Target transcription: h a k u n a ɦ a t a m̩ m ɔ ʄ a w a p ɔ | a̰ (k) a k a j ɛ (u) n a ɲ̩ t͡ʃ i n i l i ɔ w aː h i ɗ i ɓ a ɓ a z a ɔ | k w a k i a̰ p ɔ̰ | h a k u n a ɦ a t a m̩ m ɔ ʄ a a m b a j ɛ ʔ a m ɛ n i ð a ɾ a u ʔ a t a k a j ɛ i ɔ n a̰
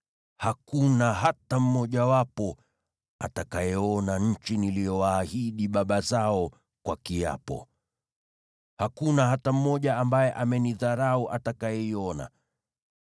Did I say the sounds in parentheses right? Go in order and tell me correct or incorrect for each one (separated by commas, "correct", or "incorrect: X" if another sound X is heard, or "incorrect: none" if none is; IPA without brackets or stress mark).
incorrect: t, incorrect: ɔ